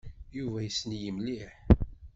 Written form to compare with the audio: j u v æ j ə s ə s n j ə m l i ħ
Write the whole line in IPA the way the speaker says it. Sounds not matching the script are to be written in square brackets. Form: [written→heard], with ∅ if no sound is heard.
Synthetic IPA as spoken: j u v æ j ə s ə [s→∅] n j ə m l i ħ

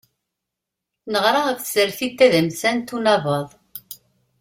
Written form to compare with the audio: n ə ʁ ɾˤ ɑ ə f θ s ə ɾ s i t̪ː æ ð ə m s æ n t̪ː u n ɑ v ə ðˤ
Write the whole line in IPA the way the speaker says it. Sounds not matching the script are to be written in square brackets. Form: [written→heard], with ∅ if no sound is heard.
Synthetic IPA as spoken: n ə ʁ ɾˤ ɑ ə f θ s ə ɾ [s→θ] i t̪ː æ ð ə m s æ n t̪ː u n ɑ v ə ðˤ

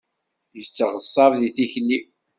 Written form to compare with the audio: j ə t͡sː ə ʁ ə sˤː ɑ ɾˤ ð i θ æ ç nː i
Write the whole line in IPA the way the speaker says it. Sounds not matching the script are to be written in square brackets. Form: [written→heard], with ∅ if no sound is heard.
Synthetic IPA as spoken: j ə t͡sː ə ʁ ə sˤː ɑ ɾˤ ð i θ [æ→i] ç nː i

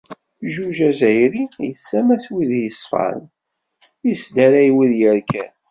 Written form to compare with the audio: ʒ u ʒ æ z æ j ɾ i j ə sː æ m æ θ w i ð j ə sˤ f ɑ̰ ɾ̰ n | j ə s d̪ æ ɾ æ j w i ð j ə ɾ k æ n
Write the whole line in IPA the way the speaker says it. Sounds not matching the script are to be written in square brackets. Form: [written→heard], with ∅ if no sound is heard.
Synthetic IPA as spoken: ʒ u ʒ æ z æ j ɾ i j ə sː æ m æ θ w i ð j ə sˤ f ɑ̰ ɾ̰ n | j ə s d̪ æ ɾ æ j w i ð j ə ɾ k æ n

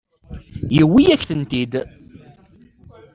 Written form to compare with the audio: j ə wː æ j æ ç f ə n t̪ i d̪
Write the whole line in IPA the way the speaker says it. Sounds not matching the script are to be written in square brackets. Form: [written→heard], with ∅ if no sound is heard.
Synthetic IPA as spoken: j ə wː [æ→i] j æ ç [f→θ] ə n t̪ i d̪

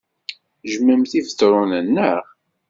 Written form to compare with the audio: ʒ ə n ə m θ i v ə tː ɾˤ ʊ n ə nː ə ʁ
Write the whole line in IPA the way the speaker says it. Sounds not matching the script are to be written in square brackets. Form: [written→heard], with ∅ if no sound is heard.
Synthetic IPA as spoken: ʒ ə [n→m] ə m θ i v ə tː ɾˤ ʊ n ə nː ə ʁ

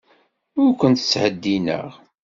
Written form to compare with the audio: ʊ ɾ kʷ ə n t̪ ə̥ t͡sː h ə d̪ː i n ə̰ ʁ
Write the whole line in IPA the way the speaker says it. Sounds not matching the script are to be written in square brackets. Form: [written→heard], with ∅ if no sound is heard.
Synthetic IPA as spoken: ʊ ɾ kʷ ə n t̪ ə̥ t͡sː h ə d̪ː i n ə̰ ʁ

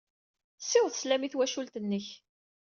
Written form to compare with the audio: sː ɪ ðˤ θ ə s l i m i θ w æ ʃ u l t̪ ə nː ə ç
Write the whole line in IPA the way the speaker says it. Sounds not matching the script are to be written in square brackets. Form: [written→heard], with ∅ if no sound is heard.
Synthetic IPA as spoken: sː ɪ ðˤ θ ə s l [i→æ] m i θ w æ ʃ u l t̪ ə nː ə ç

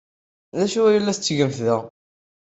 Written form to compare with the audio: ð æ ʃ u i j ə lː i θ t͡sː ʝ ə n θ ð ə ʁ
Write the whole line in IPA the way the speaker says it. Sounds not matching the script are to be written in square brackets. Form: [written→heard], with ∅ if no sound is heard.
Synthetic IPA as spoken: ð æ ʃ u [i→æ] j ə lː [i→æ] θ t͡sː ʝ ə [n→m] θ ð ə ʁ

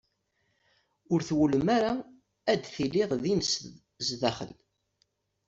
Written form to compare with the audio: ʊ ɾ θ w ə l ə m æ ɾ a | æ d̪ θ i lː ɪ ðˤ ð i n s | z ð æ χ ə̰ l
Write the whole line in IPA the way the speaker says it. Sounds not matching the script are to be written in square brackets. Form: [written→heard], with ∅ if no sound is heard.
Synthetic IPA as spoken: ʊ ɾ θ w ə l ə m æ ɾ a | æ d̪ θ i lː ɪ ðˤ ð i n s | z ð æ χ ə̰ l

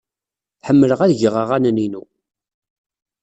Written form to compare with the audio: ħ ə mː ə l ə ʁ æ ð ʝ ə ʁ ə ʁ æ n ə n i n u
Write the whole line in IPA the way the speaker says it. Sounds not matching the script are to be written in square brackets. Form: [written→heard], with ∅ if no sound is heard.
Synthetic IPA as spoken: ħ ə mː ə l ə ʁ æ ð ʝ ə ʁ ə ʁ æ n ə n i n u

